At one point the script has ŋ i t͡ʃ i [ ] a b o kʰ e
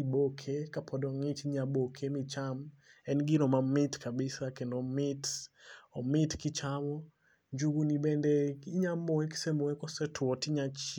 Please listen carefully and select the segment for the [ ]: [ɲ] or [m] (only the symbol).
ɲ